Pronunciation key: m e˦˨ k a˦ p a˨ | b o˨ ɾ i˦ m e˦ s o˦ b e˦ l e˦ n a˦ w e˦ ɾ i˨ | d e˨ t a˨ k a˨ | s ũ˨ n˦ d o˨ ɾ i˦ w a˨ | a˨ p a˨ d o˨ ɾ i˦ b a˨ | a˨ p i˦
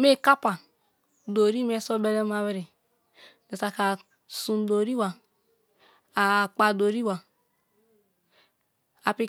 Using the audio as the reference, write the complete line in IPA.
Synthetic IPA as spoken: m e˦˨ k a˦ p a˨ | d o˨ ɾ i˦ m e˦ s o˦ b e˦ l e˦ m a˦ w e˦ ɾ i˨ | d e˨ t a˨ k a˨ | s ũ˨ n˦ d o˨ ɾ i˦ w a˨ | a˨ k͡p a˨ d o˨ ɾ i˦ w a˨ | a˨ p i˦